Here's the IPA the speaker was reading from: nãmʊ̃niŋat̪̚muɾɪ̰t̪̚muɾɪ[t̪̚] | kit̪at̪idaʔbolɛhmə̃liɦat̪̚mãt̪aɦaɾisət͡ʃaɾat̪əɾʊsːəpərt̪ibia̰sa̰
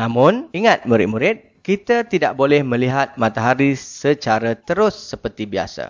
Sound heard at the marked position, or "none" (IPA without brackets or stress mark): t̪̚